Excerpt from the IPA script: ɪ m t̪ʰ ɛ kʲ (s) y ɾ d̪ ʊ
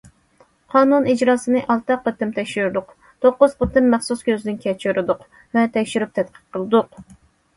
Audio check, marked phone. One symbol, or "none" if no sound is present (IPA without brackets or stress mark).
ʃ